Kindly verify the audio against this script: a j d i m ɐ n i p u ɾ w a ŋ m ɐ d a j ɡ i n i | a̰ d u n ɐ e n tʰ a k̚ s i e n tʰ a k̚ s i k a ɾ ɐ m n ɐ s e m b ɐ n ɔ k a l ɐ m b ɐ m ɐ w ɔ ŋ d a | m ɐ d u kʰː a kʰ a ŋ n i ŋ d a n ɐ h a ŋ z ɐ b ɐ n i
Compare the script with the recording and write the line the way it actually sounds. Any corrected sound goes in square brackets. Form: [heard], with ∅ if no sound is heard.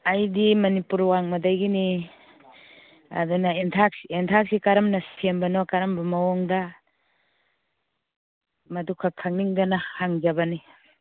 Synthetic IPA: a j d i m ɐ n i p u ɾ w a ŋ m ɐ d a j ɡ i n i | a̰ d u n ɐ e n tʰ a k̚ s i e n tʰ a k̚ s i k a ɾ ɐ m n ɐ s e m b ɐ n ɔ k a [ɾ] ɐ m b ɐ m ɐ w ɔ ŋ d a | m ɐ d u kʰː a kʰ a ŋ n i ŋ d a n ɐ h a ŋ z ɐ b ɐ n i